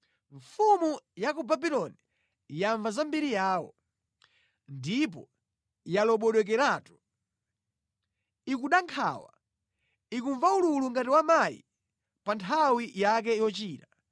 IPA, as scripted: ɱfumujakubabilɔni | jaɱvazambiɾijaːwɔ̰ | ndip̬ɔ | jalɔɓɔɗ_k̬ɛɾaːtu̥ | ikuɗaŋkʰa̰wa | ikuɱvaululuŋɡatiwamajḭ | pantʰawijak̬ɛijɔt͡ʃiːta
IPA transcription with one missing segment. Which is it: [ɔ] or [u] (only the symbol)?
ɔ